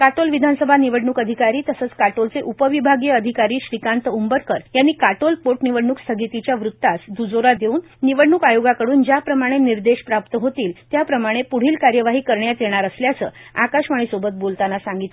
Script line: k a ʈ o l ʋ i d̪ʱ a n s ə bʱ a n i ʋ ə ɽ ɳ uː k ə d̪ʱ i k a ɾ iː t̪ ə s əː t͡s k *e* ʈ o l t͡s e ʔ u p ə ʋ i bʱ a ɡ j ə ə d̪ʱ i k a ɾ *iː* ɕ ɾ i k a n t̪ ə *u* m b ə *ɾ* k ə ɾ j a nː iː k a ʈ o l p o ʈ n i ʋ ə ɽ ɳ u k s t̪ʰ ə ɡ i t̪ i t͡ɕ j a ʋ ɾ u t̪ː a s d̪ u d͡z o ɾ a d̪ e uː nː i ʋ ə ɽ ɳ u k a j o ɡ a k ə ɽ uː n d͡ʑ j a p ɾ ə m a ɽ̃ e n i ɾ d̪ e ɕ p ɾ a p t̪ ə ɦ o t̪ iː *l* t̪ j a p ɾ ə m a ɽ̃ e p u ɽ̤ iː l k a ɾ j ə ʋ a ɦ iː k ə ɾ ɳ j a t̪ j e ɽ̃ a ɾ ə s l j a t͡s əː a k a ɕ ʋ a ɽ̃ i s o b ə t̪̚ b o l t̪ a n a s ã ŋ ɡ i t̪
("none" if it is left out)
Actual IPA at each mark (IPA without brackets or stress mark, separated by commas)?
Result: a, iː, u, ɾ, l